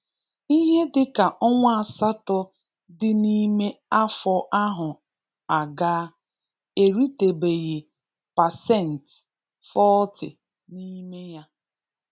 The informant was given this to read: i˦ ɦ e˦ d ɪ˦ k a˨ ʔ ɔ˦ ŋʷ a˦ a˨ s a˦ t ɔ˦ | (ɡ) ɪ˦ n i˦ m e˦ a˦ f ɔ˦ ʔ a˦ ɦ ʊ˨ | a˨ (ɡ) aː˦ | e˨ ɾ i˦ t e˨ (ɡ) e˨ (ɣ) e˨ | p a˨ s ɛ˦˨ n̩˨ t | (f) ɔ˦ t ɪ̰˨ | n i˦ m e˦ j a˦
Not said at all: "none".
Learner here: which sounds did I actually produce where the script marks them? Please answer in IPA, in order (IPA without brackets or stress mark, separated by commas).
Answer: d, ɡ, b, ɣ, f